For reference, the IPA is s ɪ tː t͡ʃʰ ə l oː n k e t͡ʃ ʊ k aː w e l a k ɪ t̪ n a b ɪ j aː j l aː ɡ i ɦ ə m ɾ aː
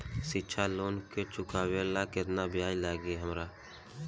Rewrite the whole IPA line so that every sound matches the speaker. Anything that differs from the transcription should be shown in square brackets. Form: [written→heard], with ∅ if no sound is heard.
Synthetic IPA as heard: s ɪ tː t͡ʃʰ [ə→a] l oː n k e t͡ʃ ʊ k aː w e l a k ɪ t̪ n a b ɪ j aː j l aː ɡ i ɦ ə m ɾ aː